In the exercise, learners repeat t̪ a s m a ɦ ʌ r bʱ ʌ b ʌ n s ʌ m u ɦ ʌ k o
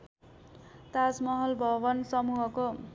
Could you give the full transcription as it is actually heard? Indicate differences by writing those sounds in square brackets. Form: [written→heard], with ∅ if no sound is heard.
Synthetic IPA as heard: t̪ a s m [a→ʌ] ɦ ʌ [r→l] bʱ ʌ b ʌ n s ʌ m u ɦ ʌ k o